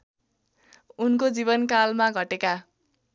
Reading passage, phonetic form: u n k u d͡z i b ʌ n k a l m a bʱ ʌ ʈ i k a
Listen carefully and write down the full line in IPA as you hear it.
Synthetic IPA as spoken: u n k o d͡z i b ʌ n k a l m a ɡʱ ʌ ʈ e k a